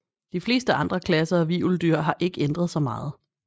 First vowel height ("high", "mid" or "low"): high